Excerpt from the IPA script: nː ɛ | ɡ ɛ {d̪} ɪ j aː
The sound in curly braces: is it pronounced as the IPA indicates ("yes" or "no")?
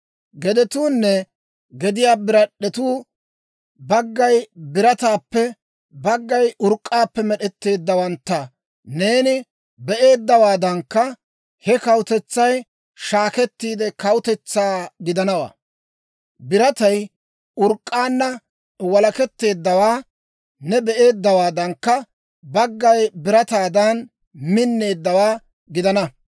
yes